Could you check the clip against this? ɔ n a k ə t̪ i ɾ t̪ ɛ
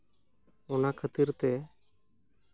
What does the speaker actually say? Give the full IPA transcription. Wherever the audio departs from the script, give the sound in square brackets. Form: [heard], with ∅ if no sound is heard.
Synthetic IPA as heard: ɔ n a [kʰ] ə t̪ i ɾ t̪ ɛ